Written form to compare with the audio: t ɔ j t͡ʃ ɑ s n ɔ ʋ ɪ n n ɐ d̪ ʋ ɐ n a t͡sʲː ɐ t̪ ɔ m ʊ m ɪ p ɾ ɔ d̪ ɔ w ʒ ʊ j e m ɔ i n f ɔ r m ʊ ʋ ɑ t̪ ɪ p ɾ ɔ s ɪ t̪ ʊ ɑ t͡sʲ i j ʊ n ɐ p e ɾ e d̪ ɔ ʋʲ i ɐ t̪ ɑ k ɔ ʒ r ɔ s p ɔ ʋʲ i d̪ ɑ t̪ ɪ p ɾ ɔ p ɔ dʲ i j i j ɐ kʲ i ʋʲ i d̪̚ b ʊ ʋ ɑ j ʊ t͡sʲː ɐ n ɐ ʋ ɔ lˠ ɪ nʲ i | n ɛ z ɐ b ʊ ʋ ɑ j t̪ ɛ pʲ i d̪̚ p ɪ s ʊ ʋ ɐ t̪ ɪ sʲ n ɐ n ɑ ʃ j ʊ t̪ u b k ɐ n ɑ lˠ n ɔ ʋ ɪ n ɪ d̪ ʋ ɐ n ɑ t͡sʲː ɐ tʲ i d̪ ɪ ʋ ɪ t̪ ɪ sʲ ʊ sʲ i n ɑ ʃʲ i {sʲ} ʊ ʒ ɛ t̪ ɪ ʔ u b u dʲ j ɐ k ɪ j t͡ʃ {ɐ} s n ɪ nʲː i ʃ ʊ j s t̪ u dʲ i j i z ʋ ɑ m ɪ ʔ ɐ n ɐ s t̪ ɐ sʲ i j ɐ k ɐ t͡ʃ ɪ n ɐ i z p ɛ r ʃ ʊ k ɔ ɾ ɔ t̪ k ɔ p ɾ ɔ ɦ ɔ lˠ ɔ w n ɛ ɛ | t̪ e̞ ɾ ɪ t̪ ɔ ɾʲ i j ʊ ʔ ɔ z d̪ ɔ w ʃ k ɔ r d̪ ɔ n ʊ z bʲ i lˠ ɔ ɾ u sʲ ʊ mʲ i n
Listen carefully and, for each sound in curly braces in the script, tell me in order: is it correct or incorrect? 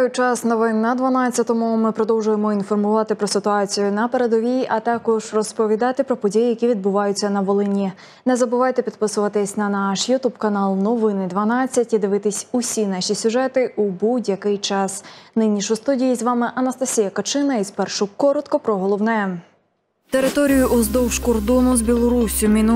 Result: correct, incorrect: ɑ

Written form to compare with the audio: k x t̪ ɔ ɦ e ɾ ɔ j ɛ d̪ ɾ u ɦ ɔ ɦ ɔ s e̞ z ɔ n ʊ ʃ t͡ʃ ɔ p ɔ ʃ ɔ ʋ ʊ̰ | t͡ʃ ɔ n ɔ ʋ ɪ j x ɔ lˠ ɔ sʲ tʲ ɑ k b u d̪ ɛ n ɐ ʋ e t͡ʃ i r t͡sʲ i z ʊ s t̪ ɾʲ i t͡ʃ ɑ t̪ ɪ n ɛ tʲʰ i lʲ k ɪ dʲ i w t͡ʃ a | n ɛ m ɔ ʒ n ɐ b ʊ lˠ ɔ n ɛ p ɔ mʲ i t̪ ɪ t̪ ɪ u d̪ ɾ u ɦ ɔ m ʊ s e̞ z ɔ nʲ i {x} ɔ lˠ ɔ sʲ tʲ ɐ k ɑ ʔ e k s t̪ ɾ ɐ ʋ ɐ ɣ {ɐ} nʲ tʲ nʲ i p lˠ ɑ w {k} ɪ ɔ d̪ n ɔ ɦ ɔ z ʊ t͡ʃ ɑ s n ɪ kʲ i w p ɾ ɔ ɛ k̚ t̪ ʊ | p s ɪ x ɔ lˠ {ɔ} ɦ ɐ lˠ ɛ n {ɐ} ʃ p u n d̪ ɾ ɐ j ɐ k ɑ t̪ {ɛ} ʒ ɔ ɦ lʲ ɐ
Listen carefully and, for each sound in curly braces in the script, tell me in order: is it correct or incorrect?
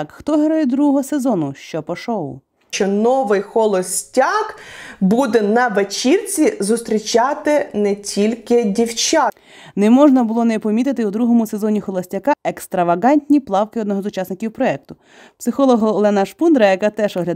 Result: correct, incorrect: ɑ, correct, correct, correct, correct

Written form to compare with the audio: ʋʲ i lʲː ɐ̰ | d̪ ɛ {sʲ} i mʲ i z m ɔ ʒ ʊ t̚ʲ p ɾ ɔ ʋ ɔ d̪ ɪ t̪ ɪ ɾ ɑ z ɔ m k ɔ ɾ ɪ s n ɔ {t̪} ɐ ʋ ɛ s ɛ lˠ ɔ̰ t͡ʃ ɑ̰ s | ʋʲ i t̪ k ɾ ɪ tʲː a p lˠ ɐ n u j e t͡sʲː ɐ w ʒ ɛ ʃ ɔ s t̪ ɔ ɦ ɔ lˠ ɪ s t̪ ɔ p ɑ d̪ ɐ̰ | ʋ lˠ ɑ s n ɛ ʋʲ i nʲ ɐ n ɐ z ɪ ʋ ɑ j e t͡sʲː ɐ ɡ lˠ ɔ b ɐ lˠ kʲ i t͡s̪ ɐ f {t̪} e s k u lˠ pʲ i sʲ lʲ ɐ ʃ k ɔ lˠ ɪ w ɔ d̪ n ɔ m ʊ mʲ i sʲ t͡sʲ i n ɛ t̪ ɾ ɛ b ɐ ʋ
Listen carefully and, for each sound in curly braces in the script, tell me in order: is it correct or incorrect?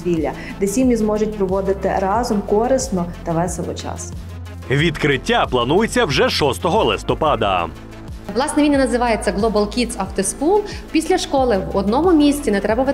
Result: correct, correct, correct

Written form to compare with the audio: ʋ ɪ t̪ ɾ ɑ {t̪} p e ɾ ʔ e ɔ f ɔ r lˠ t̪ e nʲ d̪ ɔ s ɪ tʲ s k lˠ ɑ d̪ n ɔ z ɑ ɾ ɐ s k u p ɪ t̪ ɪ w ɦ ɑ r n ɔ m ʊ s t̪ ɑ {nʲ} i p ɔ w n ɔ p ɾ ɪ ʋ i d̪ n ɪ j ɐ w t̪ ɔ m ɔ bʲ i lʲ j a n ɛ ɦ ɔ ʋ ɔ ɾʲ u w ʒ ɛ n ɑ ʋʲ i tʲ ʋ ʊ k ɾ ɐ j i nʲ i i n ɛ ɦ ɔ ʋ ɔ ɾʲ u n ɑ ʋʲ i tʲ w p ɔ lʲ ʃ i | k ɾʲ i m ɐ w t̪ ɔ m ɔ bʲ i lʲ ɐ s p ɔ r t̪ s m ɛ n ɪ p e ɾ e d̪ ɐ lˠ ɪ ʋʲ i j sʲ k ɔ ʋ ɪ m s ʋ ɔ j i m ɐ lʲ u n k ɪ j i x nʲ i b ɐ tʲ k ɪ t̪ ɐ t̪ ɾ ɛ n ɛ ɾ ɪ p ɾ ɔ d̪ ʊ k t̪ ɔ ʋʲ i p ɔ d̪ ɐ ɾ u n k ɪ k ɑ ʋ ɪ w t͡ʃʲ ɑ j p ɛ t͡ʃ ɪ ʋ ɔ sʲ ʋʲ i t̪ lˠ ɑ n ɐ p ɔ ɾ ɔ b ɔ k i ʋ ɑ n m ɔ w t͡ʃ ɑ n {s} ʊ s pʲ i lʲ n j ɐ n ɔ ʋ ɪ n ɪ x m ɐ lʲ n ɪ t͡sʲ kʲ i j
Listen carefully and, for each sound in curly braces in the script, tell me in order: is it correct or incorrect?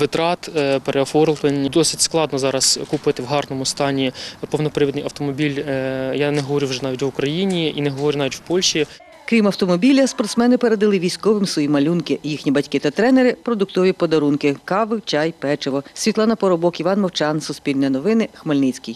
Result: correct, correct, correct

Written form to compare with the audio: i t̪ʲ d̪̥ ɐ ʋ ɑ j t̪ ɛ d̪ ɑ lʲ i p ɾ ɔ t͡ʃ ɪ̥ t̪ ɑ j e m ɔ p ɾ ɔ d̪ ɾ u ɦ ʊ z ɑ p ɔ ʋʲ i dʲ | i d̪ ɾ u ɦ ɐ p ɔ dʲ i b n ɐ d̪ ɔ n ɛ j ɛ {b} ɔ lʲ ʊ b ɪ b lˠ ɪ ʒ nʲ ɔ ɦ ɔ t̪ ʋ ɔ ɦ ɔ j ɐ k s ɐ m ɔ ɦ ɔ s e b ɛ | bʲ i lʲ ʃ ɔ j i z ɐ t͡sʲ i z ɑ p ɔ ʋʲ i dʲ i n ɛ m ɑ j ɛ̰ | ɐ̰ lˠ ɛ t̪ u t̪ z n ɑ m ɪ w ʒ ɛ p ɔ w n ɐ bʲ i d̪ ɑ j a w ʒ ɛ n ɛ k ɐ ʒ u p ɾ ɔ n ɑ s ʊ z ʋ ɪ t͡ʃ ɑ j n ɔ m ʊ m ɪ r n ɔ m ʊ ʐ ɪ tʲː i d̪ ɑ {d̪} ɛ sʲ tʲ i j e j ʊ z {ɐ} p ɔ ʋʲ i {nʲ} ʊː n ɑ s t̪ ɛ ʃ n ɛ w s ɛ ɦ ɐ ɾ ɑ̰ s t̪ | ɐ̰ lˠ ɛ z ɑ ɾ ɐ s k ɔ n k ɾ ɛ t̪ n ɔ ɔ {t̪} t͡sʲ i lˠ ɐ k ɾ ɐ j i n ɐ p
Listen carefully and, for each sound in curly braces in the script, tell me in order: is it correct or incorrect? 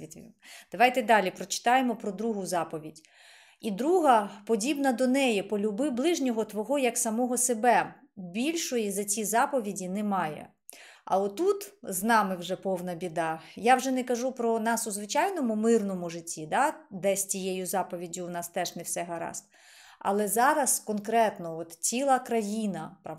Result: incorrect: p, correct, incorrect: ɑ, incorrect: dʲ, correct

